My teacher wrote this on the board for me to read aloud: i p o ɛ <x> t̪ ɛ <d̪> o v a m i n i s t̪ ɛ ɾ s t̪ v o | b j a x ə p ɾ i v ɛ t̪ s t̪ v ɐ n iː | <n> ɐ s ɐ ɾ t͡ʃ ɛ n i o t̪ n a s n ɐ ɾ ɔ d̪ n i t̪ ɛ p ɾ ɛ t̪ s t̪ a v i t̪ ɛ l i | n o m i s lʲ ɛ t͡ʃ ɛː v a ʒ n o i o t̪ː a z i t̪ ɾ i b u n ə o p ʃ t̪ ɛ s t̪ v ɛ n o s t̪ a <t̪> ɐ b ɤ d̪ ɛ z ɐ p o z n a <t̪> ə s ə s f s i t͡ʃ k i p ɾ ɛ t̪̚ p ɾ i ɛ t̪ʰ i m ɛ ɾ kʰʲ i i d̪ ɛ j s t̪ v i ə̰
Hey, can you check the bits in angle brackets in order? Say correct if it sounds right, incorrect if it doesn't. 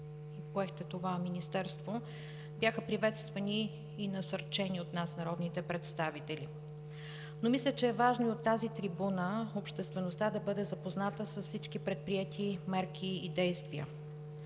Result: correct, incorrect: t̪, correct, incorrect: d̪, correct

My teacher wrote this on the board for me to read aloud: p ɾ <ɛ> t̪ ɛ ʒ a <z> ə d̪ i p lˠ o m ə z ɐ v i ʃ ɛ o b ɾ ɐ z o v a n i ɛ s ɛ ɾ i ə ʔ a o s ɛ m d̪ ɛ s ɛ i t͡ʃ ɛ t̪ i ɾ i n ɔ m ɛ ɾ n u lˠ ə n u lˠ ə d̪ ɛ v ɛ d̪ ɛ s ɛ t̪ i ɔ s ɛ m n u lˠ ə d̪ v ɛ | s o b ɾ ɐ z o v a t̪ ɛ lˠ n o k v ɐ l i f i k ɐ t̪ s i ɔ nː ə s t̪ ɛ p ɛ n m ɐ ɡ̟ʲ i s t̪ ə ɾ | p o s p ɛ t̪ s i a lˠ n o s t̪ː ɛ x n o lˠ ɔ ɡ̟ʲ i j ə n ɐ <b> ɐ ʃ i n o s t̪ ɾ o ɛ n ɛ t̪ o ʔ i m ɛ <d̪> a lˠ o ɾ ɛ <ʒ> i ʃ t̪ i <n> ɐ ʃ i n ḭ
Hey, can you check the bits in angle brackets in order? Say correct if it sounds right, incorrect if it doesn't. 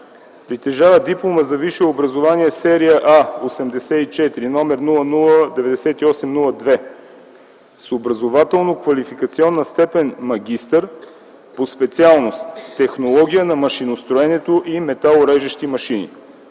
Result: incorrect: i, incorrect: v, incorrect: m, incorrect: t̪, correct, incorrect: m

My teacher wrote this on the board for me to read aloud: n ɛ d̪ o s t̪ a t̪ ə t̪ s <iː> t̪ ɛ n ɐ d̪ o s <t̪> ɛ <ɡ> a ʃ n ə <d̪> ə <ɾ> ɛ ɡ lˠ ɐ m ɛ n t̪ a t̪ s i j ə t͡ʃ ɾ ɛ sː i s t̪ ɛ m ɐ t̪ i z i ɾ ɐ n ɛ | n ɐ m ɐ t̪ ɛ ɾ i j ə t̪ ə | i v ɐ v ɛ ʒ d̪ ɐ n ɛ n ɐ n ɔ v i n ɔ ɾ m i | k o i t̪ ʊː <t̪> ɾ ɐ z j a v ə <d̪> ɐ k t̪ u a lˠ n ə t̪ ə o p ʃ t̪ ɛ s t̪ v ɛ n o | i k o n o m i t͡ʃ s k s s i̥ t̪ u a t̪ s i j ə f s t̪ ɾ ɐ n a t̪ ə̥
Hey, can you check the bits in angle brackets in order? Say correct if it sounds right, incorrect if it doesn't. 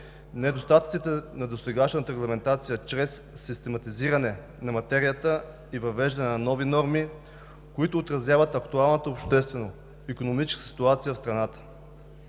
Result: incorrect: i, correct, correct, incorrect: t̪, correct, correct, incorrect: t̪

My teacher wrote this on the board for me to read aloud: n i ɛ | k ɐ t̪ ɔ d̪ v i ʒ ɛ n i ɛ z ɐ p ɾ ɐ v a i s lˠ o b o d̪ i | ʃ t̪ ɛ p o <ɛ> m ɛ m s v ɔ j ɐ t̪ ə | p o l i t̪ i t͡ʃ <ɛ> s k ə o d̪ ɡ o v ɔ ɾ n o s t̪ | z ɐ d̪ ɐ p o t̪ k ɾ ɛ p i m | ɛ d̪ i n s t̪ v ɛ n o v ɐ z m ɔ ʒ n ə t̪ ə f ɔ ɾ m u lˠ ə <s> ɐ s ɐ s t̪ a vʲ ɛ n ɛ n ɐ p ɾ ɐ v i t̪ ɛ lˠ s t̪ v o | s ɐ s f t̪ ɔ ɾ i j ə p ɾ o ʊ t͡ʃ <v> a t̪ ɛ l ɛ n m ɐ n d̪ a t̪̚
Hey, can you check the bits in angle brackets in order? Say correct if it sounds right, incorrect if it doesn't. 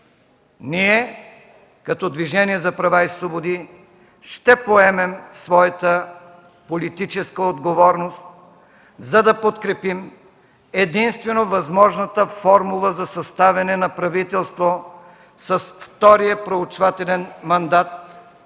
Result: correct, correct, incorrect: z, correct

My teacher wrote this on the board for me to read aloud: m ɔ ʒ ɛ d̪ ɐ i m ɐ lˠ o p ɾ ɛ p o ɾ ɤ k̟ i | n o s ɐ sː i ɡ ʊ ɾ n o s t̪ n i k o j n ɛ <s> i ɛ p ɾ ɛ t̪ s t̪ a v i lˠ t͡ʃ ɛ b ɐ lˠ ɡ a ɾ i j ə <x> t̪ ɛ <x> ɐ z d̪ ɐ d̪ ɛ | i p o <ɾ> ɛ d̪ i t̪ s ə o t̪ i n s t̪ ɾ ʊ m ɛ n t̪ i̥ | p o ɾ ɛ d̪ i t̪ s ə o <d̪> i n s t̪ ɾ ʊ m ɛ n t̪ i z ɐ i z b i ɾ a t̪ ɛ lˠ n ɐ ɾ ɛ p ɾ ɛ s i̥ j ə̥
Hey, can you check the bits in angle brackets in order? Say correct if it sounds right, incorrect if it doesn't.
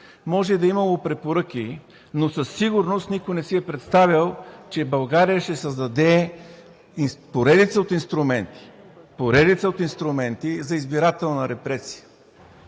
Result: correct, incorrect: ʃ, incorrect: s, correct, incorrect: t̪

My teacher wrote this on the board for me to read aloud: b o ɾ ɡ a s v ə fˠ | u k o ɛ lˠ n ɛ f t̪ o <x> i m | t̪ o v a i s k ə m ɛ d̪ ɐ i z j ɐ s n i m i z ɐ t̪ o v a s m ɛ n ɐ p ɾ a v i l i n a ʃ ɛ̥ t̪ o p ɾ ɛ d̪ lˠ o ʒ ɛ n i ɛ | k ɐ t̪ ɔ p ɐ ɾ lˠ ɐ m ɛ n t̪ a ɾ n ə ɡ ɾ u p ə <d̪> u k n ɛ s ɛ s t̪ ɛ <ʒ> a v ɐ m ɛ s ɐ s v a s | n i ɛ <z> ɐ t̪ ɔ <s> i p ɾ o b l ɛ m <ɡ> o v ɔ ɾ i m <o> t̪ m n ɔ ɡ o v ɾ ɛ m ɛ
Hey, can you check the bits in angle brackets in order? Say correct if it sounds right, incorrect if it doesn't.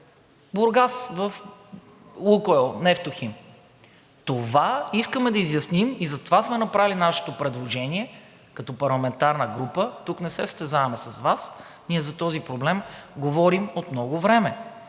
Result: correct, incorrect: t̪, incorrect: z, correct, incorrect: z, correct, correct

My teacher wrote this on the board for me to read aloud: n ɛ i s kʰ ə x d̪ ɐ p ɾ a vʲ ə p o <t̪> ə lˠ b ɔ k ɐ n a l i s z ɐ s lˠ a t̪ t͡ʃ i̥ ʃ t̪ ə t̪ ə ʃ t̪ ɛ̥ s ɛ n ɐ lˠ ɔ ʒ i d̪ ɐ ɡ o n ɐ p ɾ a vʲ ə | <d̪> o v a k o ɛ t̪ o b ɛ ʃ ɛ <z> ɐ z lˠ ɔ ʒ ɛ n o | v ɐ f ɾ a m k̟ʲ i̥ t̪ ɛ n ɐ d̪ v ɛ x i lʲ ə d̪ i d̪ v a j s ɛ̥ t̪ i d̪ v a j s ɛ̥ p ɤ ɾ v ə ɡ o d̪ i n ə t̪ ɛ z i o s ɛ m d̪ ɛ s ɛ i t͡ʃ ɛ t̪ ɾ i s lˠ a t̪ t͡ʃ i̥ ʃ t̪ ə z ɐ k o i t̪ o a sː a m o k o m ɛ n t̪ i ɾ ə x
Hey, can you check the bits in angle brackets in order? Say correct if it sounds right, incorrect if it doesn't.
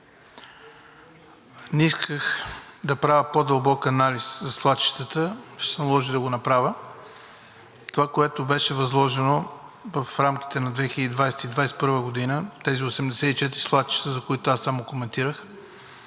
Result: incorrect: d̪, incorrect: t̪, incorrect: v

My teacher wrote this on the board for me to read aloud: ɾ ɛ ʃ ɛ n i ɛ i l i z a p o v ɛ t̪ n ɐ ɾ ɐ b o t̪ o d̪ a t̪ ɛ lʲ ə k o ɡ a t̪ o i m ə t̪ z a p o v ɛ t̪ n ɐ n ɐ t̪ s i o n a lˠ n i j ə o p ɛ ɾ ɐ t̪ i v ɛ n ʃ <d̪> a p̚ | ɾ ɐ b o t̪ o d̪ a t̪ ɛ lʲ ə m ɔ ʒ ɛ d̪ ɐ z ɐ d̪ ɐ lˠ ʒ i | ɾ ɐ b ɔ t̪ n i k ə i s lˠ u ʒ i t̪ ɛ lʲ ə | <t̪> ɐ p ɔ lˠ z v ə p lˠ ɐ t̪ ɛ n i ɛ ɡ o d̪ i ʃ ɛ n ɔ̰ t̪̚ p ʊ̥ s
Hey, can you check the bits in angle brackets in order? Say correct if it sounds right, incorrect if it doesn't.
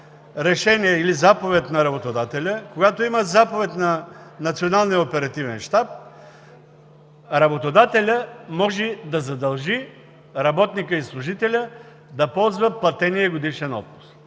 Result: incorrect: t̪, incorrect: d̪

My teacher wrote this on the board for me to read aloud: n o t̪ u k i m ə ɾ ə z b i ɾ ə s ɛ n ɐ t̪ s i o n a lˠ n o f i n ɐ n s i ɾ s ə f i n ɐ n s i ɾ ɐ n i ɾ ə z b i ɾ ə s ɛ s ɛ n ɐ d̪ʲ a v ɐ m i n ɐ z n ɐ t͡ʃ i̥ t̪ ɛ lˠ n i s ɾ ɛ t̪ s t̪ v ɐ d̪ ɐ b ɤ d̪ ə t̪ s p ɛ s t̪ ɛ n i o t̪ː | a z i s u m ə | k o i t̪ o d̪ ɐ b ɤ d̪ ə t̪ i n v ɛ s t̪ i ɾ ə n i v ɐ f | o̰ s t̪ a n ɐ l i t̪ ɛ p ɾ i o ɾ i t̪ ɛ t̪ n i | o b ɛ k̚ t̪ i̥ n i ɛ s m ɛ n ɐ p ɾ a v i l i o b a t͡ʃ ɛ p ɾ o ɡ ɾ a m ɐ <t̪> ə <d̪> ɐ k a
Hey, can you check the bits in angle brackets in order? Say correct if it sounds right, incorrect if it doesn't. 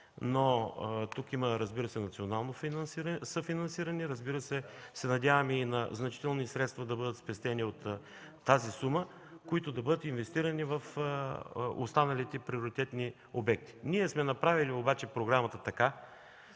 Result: correct, incorrect: t̪

